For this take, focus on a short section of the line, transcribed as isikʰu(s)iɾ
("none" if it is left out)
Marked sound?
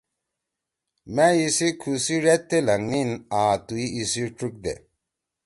s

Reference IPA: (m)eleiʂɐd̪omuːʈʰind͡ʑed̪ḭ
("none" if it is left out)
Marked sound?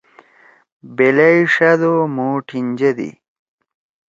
b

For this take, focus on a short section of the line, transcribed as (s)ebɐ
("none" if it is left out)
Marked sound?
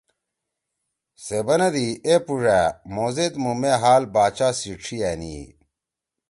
s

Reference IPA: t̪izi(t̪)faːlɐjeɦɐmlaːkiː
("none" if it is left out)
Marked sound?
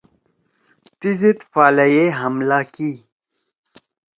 t̪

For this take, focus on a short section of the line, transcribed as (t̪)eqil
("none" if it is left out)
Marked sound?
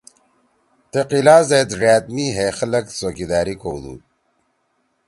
t̪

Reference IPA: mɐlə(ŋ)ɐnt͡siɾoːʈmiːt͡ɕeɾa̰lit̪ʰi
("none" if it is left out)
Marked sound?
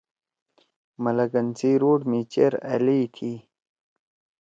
ɡ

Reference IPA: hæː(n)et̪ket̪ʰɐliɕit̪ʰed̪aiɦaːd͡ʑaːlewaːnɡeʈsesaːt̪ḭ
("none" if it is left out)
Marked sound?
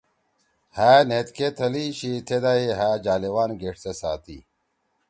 n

